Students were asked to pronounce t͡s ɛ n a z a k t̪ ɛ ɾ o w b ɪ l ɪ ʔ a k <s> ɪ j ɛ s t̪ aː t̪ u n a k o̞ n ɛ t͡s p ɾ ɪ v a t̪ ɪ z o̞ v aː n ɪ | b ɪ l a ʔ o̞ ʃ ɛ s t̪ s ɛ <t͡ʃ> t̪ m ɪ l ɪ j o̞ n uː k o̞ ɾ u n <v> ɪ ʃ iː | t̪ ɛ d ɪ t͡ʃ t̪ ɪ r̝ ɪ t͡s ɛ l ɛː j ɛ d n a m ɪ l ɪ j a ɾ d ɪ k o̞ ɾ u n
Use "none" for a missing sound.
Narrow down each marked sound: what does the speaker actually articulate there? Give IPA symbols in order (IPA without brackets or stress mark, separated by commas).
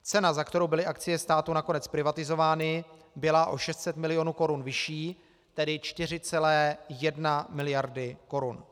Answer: t͡s, none, v